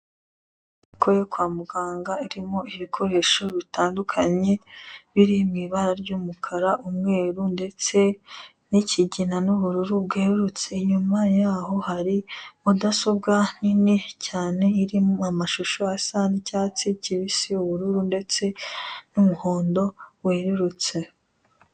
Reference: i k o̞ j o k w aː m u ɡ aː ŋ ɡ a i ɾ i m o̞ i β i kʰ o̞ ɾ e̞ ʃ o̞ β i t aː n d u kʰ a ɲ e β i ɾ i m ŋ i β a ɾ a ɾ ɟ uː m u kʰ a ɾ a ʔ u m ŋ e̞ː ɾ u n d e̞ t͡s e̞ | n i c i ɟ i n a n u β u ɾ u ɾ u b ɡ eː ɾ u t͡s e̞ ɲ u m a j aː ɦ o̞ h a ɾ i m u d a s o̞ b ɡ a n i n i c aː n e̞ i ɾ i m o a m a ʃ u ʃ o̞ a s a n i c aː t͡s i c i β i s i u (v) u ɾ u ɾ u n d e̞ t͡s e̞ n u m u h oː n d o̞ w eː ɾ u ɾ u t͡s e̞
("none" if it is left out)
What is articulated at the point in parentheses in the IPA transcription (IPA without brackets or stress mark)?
β